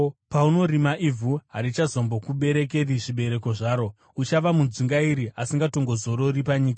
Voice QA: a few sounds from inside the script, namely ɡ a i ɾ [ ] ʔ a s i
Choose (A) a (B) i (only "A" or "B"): B